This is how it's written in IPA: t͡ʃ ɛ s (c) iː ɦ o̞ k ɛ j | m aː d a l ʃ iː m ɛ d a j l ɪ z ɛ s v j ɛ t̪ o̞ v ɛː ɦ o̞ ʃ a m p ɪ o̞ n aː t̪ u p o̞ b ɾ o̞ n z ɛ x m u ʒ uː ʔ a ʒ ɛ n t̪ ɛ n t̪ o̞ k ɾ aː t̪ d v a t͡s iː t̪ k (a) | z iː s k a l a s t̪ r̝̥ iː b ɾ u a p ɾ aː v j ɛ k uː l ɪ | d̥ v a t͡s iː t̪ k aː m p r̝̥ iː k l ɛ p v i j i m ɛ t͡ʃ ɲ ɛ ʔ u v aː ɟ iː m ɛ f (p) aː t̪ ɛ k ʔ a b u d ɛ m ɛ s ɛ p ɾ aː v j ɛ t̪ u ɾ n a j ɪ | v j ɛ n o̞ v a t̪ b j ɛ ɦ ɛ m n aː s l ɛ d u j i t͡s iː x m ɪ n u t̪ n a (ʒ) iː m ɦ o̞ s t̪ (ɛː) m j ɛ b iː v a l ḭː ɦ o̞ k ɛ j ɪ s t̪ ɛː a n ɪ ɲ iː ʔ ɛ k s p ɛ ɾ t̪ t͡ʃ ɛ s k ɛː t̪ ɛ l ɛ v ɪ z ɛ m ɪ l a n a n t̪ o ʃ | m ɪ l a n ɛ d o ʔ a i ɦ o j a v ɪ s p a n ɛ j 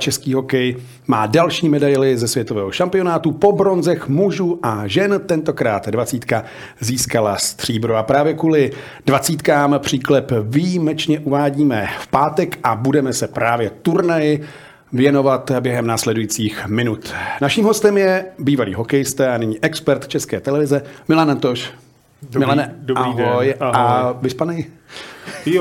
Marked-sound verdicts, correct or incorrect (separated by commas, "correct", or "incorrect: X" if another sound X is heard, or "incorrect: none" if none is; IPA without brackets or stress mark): incorrect: k, correct, correct, incorrect: ʃ, incorrect: ɛ